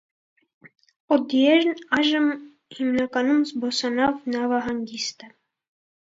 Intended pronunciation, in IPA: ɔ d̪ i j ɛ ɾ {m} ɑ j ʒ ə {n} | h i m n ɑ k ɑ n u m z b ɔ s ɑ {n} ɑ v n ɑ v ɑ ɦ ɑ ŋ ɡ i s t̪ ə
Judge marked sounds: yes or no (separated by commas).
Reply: no, no, yes